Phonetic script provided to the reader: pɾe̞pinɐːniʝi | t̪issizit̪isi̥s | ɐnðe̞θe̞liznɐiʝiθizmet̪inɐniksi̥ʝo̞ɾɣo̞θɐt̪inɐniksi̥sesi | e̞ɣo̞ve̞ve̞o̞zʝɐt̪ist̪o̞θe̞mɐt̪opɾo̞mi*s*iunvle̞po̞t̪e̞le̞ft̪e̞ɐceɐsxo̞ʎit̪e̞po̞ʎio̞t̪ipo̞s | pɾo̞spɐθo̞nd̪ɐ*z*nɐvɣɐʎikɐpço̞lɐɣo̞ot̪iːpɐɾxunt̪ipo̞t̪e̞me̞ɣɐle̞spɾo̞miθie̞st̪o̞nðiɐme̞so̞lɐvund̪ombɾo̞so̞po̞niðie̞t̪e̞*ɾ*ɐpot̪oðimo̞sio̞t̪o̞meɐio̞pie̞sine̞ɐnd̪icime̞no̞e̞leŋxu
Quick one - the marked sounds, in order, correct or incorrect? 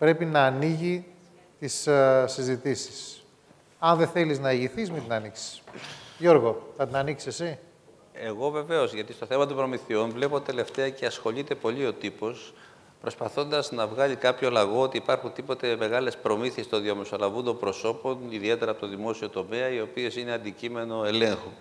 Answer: incorrect: θ, correct, correct

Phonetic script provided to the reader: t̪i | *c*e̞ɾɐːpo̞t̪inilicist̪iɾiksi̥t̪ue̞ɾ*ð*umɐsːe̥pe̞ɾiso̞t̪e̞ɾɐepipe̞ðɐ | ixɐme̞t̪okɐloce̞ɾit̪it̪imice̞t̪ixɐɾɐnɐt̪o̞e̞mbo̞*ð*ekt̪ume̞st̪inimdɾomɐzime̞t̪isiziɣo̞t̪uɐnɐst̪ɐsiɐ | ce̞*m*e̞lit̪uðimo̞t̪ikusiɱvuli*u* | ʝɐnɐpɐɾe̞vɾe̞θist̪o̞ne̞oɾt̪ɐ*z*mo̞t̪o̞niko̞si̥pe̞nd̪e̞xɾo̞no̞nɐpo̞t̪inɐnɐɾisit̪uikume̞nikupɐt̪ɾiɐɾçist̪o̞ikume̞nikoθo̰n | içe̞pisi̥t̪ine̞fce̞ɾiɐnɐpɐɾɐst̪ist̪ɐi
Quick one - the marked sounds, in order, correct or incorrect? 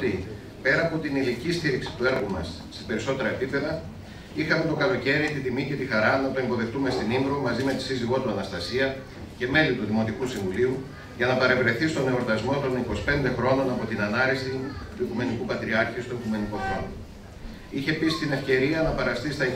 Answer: incorrect: p, incorrect: ɣ, correct, correct, correct, correct

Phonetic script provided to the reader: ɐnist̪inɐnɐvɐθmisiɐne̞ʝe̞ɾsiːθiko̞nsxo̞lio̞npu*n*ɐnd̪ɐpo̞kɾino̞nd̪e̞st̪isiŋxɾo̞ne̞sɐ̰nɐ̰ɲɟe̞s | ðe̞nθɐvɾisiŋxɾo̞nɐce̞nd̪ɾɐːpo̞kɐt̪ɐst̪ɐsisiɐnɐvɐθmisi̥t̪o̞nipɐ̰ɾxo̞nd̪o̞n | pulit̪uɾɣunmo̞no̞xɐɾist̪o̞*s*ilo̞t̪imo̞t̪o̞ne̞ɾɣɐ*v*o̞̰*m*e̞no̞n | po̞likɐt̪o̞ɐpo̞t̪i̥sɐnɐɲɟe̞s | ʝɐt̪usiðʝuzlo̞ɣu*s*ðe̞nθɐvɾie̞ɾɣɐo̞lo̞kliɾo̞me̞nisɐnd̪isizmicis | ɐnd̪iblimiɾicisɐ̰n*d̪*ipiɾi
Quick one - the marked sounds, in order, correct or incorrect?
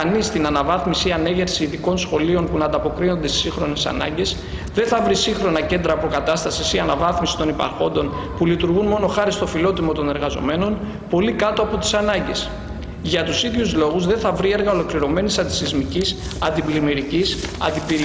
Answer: correct, incorrect: f, incorrect: z, correct, incorrect: z, correct

